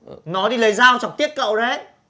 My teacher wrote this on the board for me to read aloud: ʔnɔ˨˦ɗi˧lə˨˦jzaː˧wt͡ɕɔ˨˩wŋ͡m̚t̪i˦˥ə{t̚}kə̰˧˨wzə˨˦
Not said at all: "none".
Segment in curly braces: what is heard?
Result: t̚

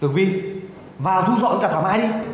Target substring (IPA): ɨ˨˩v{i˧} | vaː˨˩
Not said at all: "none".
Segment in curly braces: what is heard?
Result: i˧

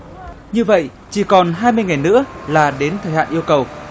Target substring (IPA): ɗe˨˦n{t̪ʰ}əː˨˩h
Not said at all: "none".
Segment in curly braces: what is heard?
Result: t̪ʰ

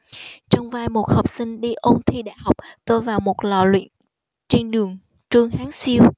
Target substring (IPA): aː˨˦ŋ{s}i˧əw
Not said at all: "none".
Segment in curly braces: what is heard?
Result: s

